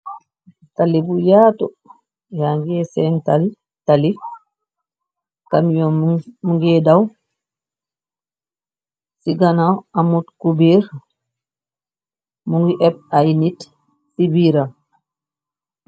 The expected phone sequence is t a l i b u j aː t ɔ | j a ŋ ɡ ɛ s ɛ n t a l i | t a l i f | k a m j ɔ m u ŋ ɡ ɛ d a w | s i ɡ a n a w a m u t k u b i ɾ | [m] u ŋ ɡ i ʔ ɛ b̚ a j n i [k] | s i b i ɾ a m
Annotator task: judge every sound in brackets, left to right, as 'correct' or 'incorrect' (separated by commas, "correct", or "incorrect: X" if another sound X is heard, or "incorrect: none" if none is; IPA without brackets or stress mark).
correct, incorrect: t